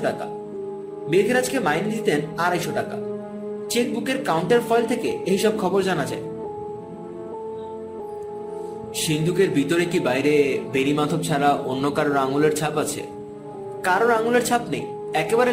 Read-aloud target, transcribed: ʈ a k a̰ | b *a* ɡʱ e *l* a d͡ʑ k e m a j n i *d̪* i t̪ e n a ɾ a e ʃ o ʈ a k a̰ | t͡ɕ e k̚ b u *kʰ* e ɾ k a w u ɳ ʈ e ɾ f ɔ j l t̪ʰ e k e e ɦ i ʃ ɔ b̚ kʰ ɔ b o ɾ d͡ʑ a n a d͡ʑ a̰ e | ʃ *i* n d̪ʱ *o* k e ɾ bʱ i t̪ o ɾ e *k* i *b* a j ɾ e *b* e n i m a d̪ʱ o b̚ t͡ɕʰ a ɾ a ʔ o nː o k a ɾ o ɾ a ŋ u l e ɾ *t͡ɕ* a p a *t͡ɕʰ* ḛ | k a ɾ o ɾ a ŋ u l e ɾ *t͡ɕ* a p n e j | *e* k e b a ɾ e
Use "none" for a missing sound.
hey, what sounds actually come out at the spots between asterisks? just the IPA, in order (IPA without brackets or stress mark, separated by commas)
e, ɾ, d̪, k, i, u, k, b, b, t͡ɕʰ, t͡ɕʰ, t͡ɕʰ, ɛ